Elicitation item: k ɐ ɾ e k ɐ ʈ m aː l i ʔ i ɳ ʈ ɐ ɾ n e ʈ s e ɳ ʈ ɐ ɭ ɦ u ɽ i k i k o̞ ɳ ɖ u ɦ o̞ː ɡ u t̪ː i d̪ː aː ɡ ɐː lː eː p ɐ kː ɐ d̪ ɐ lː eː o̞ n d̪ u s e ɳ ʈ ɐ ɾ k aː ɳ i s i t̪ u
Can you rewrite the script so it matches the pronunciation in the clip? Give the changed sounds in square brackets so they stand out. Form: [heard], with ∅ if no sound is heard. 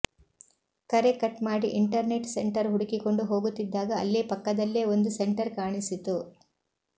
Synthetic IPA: k ɐ ɾ e k ɐ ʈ m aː [ɽ] i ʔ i ɳ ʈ ɐ ɾ n e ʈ s e ɳ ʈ ɐ [ɾ] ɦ u ɽ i k i k o̞ ɳ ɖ u ɦ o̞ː ɡ u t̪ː i d̪ː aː ɡ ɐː lː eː p ɐ kː ɐ d̪ ɐ lː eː o̞ n d̪ u s e ɳ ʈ ɐ ɾ k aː ɳ i s i t̪ u